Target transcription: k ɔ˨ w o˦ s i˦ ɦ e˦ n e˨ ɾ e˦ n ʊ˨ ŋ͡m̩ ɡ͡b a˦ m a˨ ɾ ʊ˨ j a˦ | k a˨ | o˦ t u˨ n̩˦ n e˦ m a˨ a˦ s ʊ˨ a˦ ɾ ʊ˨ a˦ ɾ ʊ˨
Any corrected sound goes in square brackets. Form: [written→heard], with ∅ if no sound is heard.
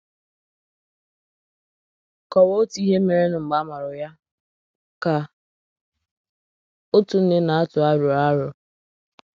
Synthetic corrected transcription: k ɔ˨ w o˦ [s→t] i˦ ɦ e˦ [n→m] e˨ ɾ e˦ n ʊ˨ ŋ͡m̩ ɡ͡b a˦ m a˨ ɾ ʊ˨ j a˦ | k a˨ | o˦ t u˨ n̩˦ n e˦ [m→n] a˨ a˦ [s→t] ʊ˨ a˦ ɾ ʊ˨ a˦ ɾ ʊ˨